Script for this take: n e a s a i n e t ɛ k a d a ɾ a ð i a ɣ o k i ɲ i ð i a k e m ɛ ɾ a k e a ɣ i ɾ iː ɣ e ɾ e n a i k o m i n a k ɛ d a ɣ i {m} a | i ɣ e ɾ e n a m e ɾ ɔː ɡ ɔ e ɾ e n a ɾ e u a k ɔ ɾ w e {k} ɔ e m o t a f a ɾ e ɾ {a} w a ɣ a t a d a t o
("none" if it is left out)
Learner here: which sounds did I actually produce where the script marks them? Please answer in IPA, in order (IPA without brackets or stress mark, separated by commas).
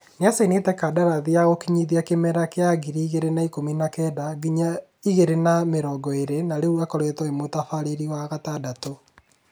ɲ, t, i